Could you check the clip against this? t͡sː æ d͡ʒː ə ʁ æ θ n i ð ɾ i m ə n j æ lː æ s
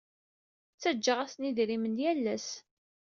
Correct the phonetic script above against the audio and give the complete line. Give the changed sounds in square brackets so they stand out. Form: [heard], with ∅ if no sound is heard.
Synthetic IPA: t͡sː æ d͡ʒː ə ʁ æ [s] n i ð ɾ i m ə n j æ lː æ s